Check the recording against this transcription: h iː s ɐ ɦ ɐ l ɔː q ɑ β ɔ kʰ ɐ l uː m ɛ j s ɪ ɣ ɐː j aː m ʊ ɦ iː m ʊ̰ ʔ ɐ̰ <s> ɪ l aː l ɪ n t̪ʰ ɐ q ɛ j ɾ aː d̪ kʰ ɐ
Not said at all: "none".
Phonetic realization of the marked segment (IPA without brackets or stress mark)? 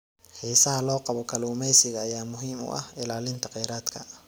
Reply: h